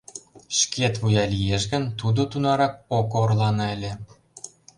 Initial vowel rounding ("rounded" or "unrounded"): unrounded